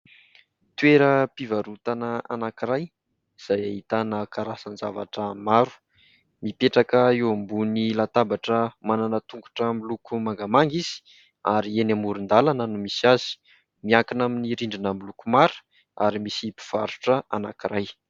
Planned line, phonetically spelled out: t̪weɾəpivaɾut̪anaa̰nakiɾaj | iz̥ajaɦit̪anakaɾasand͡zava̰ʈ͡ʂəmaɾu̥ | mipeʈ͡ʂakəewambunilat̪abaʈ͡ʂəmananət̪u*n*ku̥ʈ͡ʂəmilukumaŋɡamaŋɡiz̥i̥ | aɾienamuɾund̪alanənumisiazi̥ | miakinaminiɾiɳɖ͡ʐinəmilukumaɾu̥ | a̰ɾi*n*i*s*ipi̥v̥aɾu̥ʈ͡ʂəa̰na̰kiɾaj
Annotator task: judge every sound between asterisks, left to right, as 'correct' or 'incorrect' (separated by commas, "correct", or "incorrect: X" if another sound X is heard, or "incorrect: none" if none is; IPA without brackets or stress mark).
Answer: incorrect: ŋ, incorrect: m, correct